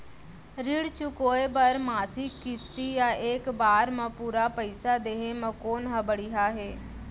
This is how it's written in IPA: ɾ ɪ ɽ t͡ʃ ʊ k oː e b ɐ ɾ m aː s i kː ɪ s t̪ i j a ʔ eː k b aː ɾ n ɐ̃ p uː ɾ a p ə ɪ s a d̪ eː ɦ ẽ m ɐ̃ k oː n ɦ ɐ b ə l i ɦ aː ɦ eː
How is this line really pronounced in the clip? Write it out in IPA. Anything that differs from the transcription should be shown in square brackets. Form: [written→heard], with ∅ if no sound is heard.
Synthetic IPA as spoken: ɾ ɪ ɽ t͡ʃ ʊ k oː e b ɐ ɾ m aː s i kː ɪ s t̪ i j a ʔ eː k b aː ɾ [n→m] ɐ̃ p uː ɾ a p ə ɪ s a d̪ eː ɦ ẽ m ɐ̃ k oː n ɦ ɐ b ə [l→ɽ] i ɦ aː ɦ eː